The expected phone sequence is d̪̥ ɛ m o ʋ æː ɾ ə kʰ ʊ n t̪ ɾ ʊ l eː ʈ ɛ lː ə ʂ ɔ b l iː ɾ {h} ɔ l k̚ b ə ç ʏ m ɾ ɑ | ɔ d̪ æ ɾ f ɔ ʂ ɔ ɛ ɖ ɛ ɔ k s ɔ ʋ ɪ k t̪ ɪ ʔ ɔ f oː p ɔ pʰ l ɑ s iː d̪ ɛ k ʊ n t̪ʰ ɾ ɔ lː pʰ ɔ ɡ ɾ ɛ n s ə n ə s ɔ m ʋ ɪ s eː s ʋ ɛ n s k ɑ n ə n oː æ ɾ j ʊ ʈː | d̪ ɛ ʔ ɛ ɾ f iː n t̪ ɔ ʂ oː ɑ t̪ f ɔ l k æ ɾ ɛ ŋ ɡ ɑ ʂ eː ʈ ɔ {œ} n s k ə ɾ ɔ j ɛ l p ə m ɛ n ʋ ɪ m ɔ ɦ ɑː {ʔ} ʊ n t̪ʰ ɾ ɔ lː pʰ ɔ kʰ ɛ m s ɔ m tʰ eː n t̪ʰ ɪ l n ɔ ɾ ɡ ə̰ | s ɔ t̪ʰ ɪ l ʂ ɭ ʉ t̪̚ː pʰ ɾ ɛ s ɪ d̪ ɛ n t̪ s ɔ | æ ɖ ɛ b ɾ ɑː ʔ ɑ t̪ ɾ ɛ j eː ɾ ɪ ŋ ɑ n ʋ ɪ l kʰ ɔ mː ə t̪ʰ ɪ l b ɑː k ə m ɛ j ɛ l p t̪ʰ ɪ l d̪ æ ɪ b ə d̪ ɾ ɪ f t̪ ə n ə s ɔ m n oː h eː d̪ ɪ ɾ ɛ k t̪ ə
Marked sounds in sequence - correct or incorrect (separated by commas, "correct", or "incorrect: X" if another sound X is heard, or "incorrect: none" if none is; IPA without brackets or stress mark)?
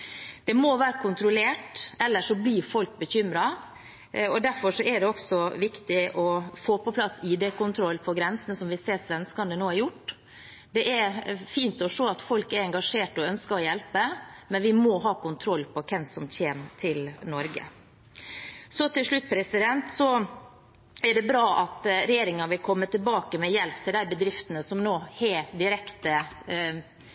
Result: incorrect: f, correct, incorrect: k